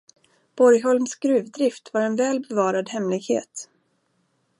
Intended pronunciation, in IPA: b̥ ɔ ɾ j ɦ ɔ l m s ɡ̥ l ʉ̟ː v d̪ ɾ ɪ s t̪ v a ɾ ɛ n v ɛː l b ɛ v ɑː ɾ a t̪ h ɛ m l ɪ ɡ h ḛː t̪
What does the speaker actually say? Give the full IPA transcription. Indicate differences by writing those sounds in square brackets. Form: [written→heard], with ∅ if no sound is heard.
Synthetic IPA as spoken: b̥ ɔ ɾ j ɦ ɔ l m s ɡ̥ [l→ɾ] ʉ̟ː v d̪ ɾ ɪ [s→f] t̪ v a ɾ ɛ n v ɛː l b ɛ v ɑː ɾ a [t̪→d̪] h ɛ m l ɪ ɡ h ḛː t̪